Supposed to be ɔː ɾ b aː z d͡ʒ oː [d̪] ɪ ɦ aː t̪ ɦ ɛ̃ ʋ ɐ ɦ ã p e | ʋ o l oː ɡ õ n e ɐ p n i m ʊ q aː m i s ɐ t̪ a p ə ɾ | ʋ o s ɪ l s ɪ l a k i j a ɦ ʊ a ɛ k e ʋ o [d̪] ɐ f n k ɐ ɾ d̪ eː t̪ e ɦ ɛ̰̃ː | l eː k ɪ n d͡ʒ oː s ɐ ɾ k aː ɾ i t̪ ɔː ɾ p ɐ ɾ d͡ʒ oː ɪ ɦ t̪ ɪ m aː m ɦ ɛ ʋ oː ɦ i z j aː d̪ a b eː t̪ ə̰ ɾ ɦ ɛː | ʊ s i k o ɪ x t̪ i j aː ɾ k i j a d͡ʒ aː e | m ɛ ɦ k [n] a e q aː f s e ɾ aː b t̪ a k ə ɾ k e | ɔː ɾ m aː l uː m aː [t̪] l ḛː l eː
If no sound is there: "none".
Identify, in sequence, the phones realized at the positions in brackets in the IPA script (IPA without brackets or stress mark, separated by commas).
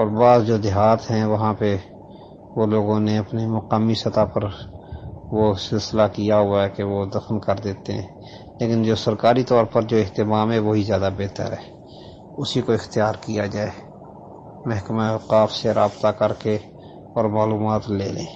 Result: d̪, d̪, m, t̪